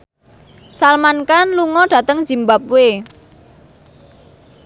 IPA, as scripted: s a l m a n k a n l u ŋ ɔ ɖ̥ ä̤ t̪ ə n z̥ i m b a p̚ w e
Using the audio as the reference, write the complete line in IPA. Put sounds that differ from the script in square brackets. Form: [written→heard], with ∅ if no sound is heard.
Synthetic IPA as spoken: s a l m a n k a n l u ŋ ɔ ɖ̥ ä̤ t̪ ə [n→ŋ] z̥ i m b a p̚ w e

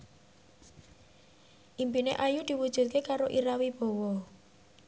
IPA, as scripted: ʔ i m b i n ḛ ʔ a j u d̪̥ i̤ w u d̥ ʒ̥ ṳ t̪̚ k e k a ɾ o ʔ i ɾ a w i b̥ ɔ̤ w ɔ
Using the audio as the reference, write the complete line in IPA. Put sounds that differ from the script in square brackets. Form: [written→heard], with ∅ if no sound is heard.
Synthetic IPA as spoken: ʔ i m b i n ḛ ʔ a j u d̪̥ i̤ w u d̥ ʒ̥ ṳ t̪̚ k e k a ɾ o ʔ i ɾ a w i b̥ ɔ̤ w ɔ

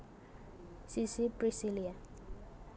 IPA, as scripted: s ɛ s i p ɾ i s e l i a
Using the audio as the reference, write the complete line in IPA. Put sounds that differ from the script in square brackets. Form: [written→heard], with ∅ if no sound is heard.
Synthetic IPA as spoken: s [ɛ→i] s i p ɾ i s [e→i] l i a

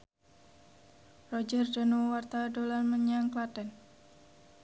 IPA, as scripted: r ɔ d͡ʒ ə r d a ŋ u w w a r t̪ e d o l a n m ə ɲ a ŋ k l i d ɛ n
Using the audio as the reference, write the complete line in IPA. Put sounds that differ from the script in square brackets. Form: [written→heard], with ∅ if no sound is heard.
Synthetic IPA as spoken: r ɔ d͡ʒ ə r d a [ŋ→n] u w w a r t̪ [e→a] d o l a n m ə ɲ a ŋ k l [i→a] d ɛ n

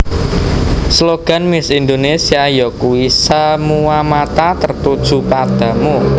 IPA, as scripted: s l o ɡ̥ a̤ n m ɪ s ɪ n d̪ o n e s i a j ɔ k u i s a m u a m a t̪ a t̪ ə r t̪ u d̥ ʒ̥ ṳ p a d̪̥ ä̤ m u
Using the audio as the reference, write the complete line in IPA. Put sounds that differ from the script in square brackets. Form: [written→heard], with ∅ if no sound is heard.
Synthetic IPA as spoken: s l o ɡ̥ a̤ n m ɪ s [ɪ→i] n d̪ o n e s i a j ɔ k u i s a m u a m a t̪ a t̪ ə r t̪ u d̥ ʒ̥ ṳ p a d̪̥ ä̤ m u

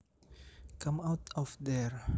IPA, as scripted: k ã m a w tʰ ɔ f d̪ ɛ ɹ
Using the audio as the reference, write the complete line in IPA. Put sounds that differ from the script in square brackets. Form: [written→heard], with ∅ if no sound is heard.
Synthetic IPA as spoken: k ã m a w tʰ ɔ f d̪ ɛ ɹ

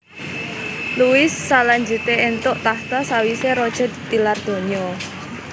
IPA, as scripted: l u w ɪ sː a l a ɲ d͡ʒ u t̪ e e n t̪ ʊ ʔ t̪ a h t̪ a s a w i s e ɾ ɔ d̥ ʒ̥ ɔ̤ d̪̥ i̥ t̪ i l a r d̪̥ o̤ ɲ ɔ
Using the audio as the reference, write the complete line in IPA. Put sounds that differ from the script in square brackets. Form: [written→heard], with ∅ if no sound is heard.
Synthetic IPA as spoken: l u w ɪ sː a l a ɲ d͡ʒ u t̪ e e n t̪ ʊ ʔ t̪ a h t̪ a s a w i s e ɾ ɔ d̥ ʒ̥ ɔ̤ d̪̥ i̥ t̪ i l a r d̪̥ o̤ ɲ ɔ

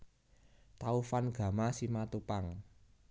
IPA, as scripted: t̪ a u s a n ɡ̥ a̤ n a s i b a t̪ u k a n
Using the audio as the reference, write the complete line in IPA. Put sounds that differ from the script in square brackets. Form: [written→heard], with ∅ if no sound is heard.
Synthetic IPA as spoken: t̪ a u [s→f] a n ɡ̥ a̤ [n→m] a s i [b→m] a t̪ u [k→p] a [n→ŋ]

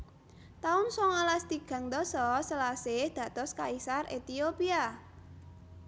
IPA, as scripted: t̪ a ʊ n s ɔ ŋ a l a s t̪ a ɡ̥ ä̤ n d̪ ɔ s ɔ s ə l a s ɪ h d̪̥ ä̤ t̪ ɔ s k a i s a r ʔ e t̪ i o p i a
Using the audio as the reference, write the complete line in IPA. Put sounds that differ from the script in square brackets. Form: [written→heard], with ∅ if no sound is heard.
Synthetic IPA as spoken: t̪ a ʊ n s ɔ ŋ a l a s t̪ [a→i] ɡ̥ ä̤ [n→ŋ] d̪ ɔ s ɔ s ə l a s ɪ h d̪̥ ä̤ t̪ ɔ s k a i s a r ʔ e t̪ i o p i a

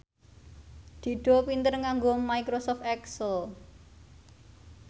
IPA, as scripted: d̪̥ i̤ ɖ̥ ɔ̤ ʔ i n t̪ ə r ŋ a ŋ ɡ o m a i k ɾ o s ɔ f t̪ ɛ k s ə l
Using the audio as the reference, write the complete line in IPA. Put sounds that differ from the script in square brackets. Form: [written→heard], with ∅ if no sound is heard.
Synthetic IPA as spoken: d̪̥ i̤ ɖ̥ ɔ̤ [ʔ→p] i n t̪ ə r ŋ a ŋ ɡ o m a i k ɾ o s ɔ f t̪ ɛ k s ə l

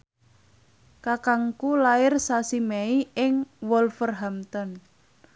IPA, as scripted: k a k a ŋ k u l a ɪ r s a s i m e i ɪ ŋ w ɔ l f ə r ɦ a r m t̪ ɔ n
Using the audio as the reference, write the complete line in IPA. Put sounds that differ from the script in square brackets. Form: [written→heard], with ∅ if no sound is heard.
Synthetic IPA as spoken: k a k a ŋ k u l a ɪ r s a s i m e i ɪ ŋ w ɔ l f ə r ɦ a [r→∅] m t̪ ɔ n

